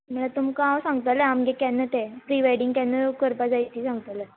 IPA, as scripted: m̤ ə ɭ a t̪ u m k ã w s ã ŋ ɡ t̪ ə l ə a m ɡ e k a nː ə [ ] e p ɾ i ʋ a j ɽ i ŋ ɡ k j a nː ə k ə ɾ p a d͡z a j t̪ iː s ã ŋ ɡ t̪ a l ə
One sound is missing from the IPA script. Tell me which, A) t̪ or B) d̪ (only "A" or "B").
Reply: A